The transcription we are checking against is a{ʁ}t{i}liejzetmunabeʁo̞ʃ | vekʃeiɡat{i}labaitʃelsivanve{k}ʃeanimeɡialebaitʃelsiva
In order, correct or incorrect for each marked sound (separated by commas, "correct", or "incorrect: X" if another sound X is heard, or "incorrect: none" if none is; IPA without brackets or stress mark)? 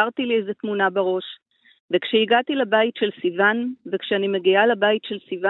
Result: correct, correct, correct, correct